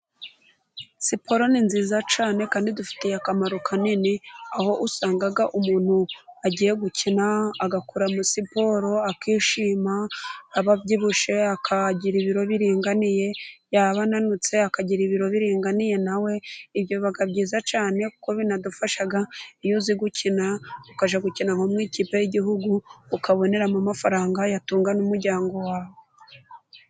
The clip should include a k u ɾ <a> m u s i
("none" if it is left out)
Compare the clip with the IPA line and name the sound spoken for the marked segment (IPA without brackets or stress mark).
a